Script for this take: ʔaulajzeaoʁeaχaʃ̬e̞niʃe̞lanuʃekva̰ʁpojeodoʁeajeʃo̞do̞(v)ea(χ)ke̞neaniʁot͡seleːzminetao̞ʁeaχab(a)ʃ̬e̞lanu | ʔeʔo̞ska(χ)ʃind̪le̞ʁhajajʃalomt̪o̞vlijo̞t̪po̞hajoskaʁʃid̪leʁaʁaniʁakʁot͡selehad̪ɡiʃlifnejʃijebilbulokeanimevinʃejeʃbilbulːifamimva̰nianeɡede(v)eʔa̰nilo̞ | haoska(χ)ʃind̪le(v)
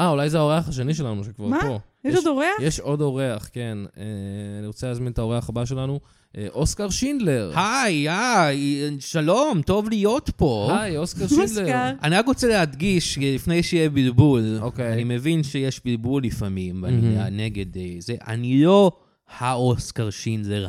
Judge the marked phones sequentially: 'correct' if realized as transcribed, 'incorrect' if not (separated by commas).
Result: incorrect, correct, correct, incorrect, incorrect, incorrect, incorrect